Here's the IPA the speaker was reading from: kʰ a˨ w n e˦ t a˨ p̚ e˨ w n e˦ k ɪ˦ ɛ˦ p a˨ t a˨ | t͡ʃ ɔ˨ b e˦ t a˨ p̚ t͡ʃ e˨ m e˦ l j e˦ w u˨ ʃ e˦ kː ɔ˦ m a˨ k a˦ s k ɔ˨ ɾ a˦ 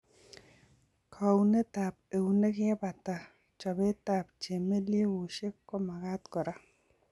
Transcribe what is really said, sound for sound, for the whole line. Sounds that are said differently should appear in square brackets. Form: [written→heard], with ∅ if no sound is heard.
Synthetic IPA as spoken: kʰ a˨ w n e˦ t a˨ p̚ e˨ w n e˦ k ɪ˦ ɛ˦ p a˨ t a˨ | t͡ʃ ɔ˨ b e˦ t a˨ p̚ t͡ʃ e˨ m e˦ l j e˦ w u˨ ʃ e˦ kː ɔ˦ m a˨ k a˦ [s→t] k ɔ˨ ɾ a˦